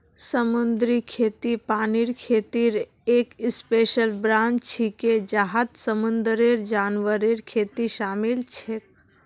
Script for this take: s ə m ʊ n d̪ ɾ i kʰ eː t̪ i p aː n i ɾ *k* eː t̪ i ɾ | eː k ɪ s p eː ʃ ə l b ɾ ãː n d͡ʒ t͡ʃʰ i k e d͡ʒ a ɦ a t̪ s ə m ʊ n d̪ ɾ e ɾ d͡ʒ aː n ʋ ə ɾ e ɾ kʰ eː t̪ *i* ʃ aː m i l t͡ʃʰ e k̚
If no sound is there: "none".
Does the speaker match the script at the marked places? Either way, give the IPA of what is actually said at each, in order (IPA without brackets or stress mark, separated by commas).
kʰ, i